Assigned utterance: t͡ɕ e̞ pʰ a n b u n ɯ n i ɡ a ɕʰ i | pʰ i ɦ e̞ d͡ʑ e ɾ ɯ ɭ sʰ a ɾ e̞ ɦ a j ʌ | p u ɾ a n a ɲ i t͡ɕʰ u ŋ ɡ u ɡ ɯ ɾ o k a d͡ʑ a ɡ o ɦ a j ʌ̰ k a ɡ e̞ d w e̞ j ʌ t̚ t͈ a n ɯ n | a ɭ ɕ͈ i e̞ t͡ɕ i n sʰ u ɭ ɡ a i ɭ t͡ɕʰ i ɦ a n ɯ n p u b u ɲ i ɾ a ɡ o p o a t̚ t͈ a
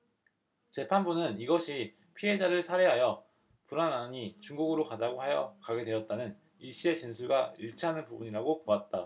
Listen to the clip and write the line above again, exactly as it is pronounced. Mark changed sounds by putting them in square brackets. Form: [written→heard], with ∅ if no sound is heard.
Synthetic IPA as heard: t͡ɕ e̞ pʰ a n b u n ɯ n i ɡ [a→ʌ] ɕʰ i | pʰ i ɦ e̞ d͡ʑ [e→a] ɾ ɯ ɭ sʰ a ɾ e̞ ɦ a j ʌ | p u ɾ a n a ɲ i [t͡ɕʰ→t͡ɕ] u ŋ ɡ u ɡ ɯ ɾ o k a d͡ʑ a ɡ o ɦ a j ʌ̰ k a ɡ e̞ d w e̞ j ʌ t̚ t͈ a n ɯ n | [a→i] ɭ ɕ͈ i e̞ t͡ɕ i n sʰ u ɭ ɡ a i ɭ t͡ɕʰ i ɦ a n ɯ n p u b u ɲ i ɾ a ɡ o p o a t̚ t͈ a

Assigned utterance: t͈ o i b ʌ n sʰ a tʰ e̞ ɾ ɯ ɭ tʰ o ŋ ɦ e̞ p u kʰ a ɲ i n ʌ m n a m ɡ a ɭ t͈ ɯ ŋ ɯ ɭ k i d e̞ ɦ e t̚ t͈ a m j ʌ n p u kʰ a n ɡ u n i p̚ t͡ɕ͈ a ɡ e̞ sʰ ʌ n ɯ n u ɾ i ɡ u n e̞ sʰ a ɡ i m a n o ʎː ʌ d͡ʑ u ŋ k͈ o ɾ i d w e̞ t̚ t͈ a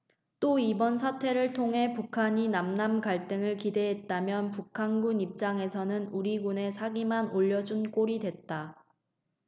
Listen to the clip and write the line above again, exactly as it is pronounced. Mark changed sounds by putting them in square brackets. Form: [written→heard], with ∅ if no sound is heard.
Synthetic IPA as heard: t͈ o i b ʌ n sʰ a tʰ e̞ ɾ ɯ ɭ tʰ o ŋ ɦ e̞ p u kʰ a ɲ i n [ʌ→a] m n a m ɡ a ɭ t͈ ɯ ŋ ɯ ɭ k i d e̞ ɦ e t̚ t͈ a m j ʌ n p u kʰ a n ɡ u n i p̚ t͡ɕ͈ a [ɡ→ŋ] e̞ sʰ ʌ n ɯ n u ɾ i ɡ u n e̞ sʰ a ɡ i m a n o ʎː ʌ d͡ʑ u [ŋ→n] k͈ o ɾ i d w e̞ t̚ t͈ a

